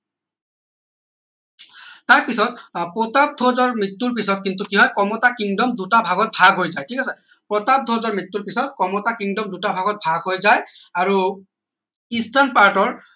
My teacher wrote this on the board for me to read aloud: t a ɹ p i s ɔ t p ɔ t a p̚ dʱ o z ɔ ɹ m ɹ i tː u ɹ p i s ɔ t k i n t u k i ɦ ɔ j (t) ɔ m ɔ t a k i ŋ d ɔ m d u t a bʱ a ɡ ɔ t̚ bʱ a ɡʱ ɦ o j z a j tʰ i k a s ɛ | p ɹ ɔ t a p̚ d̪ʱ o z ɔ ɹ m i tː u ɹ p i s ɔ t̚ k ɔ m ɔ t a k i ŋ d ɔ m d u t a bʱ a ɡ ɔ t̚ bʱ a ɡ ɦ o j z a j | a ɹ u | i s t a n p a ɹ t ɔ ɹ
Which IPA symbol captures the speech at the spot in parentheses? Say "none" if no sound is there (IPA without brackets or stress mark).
k